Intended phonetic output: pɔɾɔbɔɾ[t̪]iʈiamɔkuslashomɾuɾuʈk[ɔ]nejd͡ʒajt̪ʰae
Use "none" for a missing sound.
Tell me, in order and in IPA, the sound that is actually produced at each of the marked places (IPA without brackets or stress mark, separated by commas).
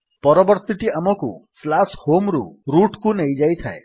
t̪, u